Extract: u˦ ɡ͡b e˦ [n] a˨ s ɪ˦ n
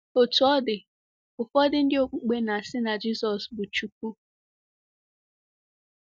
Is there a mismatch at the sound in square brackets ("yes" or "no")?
no